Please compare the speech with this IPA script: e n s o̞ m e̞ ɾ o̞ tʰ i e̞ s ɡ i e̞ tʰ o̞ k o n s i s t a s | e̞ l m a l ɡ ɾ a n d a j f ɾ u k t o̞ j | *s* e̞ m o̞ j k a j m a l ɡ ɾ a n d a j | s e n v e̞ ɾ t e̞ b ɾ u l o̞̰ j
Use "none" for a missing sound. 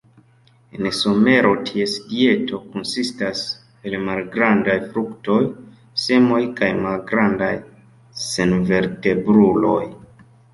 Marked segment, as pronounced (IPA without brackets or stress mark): s